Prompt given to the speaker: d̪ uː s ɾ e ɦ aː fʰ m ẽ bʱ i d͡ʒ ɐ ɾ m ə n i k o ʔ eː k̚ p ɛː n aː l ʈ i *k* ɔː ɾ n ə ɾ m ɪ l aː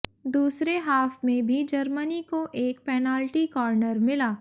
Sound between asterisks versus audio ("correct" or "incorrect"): correct